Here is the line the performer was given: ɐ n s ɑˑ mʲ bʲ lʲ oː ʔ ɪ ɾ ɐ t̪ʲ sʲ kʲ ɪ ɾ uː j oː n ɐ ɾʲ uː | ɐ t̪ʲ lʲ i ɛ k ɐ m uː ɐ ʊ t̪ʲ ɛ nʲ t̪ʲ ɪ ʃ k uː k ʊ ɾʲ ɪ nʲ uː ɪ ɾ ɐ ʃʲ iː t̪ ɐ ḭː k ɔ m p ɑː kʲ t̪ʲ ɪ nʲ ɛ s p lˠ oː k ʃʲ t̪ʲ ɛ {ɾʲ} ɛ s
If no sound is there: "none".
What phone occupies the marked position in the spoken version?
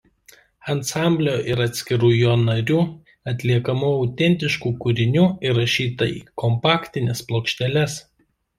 lʲ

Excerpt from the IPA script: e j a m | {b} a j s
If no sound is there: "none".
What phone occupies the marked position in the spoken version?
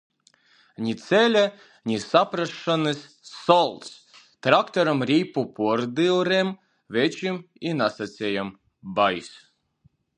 b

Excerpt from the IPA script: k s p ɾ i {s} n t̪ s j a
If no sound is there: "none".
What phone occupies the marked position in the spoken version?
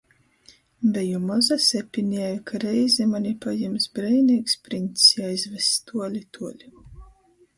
none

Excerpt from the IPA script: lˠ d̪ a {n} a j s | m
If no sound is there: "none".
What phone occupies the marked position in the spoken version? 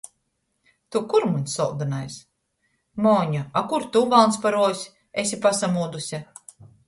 n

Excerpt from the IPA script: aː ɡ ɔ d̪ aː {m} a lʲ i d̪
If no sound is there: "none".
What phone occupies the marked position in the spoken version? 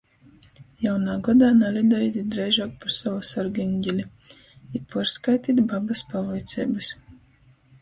n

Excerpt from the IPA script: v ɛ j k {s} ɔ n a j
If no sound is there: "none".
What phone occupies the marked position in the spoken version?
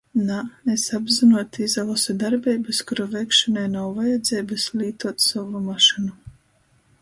ʃ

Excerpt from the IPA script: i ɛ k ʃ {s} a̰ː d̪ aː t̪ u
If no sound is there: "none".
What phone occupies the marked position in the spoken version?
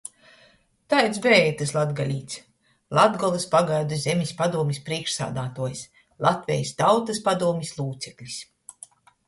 s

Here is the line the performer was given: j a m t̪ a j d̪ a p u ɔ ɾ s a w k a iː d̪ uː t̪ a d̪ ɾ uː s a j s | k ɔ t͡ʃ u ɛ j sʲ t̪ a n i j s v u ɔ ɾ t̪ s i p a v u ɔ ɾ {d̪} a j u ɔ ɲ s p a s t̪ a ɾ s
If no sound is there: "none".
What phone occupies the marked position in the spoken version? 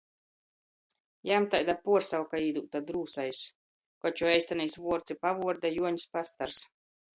d̪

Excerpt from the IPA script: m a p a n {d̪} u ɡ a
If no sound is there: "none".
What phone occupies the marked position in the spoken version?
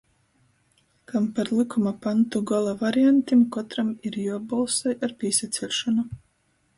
t̪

